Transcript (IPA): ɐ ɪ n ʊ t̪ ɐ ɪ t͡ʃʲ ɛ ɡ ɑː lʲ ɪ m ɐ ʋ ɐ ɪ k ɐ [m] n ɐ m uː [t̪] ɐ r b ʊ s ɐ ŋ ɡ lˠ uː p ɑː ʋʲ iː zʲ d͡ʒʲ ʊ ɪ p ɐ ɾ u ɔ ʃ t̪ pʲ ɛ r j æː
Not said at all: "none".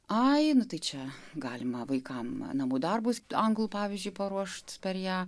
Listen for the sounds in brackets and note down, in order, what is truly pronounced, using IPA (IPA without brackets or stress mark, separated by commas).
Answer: m, d̪